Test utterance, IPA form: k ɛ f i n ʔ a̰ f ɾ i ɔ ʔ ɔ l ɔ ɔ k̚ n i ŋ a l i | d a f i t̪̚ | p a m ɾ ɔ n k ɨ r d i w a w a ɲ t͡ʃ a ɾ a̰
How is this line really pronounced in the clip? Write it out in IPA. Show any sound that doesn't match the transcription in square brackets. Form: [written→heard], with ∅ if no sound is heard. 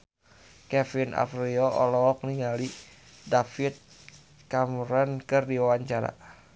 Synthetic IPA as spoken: k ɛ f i n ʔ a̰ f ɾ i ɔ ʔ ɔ l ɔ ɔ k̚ n i ŋ a l i | d a f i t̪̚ | [p→k] a m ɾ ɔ n k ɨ r d i w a w a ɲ t͡ʃ a ɾ a̰